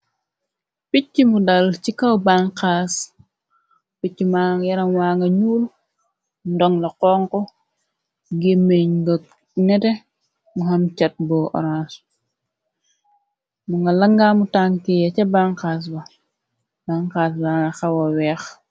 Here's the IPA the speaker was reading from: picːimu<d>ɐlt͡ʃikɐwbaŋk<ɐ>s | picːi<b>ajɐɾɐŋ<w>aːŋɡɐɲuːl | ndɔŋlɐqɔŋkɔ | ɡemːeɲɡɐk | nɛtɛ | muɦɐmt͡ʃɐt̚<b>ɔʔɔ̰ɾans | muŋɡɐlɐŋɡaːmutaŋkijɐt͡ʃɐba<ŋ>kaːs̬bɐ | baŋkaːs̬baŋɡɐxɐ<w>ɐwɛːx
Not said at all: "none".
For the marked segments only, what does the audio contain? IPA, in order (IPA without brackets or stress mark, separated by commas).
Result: d, a, m, w, b, ŋ, w